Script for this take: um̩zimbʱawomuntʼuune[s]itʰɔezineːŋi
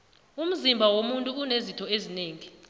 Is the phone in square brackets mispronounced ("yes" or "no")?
yes